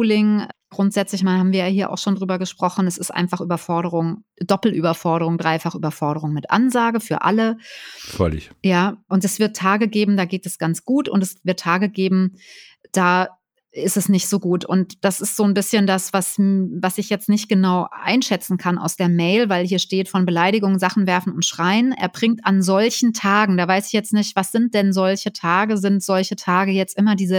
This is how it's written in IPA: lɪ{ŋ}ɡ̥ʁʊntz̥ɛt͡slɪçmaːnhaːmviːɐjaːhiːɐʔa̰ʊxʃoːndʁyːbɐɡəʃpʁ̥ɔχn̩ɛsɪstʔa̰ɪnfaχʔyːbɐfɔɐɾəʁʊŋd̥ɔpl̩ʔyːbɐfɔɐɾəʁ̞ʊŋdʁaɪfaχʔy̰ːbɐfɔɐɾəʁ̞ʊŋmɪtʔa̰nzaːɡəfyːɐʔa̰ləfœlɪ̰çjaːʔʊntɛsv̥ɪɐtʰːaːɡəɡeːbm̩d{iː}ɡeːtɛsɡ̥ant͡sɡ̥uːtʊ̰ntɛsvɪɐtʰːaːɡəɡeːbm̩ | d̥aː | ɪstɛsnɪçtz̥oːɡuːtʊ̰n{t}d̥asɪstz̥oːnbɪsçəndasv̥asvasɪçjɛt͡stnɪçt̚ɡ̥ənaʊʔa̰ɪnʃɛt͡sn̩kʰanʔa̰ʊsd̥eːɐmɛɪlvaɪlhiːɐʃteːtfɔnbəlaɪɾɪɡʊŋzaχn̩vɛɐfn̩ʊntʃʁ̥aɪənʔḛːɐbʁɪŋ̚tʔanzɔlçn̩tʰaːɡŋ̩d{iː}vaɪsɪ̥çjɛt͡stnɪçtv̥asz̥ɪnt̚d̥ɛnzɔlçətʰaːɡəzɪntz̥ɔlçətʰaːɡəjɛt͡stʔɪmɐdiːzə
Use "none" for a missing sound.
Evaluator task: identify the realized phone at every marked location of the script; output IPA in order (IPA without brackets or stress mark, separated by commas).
ŋ, aː, t, aː